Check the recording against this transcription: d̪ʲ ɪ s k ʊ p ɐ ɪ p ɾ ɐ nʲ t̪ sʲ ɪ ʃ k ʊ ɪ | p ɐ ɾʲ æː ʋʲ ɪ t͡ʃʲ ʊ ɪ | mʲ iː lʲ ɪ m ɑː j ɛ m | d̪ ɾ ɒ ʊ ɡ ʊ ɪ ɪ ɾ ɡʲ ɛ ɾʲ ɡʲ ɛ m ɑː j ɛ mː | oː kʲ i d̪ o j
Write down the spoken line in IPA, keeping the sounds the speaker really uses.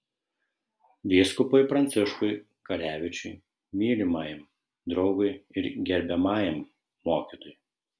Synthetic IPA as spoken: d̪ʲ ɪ s k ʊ p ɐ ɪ p ɾ ɐ nʲ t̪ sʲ ɪ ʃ k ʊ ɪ | k ɐ ɾʲ æː ʋʲ ɪ t͡ʃʲ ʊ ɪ | mʲ iː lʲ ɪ m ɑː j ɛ m | d̪ ɾ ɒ ʊ ɡ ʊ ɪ ɪ ɾ ɡʲ ɛ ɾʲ bʲ ɛ m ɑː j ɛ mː | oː kʲ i t̪ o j